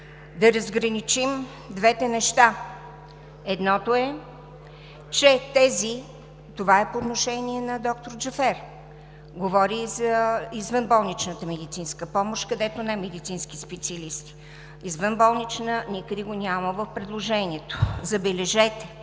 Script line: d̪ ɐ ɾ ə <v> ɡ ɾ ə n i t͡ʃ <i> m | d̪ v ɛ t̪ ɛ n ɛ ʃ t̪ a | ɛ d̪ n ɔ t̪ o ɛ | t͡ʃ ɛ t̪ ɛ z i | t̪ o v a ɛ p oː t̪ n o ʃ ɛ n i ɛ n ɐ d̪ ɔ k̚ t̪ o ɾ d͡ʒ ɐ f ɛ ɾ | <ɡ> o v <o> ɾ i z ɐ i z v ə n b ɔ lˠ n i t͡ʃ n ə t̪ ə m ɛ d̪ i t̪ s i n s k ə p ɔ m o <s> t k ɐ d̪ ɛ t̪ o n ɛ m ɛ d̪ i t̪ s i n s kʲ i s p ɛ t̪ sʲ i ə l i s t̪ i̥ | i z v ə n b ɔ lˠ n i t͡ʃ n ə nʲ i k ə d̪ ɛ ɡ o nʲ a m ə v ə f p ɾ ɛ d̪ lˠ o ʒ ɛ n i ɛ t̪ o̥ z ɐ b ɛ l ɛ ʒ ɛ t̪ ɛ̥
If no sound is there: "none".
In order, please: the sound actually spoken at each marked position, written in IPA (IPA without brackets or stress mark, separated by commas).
z, i, ɡ, ɔ, ʃ